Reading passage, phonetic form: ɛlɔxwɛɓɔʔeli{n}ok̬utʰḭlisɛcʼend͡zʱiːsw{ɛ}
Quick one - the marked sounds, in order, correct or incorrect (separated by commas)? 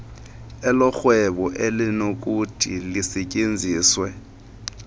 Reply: correct, correct